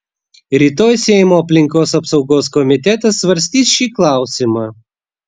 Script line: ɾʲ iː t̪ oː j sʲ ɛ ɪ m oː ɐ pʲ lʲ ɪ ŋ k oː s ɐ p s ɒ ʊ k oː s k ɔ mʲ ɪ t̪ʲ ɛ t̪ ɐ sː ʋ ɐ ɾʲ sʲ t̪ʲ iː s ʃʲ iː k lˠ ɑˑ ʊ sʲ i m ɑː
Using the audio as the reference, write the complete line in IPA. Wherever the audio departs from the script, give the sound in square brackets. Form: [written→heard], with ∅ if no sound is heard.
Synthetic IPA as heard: ɾʲ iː t̪ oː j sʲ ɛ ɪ m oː ɐ pʲ lʲ ɪ ŋ k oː s ɐ p s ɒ ʊ [k→ɡ] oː s k ɔ mʲ ɪ t̪ʲ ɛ t̪ ɐ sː ʋ ɐ ɾʲ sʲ t̪ʲ iː s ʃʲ iː k lˠ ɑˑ ʊ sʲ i m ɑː